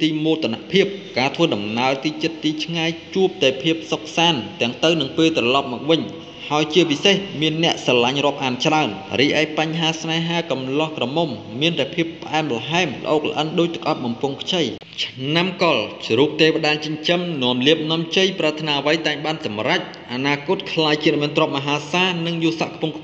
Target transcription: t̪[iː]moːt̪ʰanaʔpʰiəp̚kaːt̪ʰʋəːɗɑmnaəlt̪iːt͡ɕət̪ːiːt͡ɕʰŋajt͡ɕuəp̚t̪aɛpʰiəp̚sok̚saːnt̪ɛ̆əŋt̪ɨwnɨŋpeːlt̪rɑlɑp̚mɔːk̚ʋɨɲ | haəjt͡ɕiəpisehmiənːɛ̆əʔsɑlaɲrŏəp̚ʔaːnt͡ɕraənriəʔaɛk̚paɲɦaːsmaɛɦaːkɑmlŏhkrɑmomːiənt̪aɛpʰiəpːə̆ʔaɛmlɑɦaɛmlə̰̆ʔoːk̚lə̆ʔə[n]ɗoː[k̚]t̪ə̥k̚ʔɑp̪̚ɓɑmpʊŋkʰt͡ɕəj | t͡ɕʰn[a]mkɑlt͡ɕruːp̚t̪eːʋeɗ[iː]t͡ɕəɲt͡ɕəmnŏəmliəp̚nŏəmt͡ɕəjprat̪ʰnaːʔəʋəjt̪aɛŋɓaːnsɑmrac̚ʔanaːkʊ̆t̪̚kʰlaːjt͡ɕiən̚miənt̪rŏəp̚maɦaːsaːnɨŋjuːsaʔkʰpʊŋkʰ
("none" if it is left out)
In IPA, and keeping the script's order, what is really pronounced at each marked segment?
iː, n, c̚, a, aː

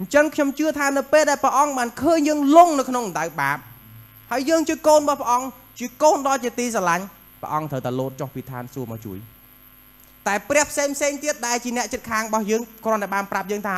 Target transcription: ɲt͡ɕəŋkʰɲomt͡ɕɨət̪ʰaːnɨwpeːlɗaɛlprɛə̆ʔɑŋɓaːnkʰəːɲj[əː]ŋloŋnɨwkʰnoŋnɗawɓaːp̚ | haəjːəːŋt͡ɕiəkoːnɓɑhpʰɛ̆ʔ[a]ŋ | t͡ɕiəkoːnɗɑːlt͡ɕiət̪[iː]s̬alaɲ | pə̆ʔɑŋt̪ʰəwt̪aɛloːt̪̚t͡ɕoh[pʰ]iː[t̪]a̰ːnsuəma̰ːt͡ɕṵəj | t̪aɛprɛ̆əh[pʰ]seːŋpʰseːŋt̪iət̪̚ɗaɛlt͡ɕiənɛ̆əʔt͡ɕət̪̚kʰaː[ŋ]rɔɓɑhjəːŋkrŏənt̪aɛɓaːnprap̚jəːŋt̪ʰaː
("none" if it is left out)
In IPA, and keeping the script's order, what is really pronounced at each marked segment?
əː, ɑ, iː, p, t̪ʰ, pʰ, ŋ

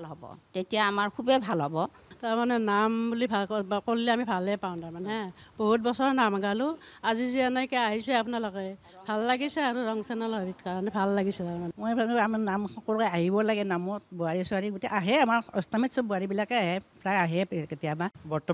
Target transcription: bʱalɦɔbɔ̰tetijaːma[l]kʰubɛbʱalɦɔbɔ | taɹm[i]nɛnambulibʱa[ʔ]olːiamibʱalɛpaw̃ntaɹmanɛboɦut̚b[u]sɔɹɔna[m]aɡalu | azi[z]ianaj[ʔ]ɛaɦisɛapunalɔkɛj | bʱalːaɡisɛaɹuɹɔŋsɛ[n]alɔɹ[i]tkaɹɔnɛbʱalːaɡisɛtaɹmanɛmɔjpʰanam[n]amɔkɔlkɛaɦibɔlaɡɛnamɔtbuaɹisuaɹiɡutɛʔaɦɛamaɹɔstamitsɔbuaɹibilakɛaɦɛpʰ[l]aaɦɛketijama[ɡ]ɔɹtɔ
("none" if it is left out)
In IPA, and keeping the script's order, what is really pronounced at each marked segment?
ɹ, a, k, ɔ, m, z, k, n, i, n, ɹ, b

